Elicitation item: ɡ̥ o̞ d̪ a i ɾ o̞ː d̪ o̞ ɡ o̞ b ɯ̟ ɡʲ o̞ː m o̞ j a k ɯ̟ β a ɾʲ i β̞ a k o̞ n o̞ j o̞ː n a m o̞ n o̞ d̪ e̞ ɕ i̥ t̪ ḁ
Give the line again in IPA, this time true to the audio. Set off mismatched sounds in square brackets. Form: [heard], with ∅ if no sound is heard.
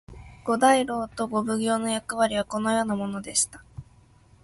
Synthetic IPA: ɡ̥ o̞ d̪ a i ɾ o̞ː [t̪] o̞ ɡ o̞ b ɯ̟ ɡʲ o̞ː [n] o̞ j a k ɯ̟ β a ɾʲ i β̞ a k o̞ n o̞ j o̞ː n a m o̞ n o̞ d̪ e̞ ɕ i̥ t̪ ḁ

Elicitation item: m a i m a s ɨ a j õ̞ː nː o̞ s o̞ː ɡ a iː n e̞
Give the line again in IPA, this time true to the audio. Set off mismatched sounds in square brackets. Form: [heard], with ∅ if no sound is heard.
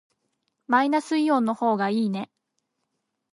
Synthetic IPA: m a i [n] a s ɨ [i] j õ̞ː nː o̞ [h] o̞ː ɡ a iː n e̞

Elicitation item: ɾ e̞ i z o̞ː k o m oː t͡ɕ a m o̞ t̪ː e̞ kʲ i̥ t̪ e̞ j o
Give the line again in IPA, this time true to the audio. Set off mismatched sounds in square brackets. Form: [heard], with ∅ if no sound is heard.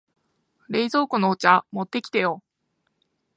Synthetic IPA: ɾ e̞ i z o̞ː k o [n] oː t͡ɕ a m o̞ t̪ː e̞ kʲ i̥ t̪ e̞ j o

